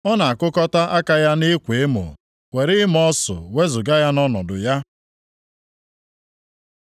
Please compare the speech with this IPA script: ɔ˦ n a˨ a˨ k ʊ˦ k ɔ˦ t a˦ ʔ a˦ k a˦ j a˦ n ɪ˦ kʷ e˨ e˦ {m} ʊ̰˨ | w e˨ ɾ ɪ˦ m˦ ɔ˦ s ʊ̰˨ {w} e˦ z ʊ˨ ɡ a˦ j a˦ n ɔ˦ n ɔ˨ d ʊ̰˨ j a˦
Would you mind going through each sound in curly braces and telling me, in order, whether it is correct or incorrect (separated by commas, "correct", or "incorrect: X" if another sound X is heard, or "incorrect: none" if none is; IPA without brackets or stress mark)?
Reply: correct, correct